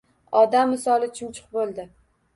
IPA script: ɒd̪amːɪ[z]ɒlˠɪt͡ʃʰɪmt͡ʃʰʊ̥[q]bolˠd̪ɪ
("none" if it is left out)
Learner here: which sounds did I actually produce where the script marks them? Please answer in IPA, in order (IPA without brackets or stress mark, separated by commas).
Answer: s, q